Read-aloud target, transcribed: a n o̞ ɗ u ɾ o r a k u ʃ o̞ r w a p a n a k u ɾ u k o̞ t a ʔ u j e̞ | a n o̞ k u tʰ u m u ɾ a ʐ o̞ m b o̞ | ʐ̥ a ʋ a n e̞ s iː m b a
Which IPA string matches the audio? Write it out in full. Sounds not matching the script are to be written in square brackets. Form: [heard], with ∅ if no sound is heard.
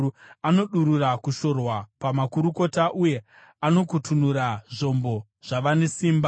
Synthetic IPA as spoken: a n o̞ ɗ u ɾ [u] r a k u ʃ o̞ r w a p a [m] a k u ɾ u k o̞ t a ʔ u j e̞ | a n o̞ k u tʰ u [n] u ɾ a ʐ o̞ m b o̞ | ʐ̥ a ʋ a n e̞ s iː m b a